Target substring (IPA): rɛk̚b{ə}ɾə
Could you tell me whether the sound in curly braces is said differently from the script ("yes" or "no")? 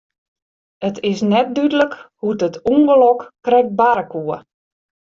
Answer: yes